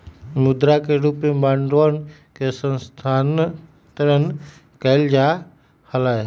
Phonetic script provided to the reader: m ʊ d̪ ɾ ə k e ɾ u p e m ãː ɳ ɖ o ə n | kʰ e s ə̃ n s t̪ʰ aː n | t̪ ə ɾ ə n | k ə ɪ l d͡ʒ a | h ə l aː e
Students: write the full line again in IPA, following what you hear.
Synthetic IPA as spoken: m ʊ d̪ ɾ a k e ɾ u p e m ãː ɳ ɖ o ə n | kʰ e s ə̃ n s t̪ʰ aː n | t̪ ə ɾ ə n | k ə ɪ l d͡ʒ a | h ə l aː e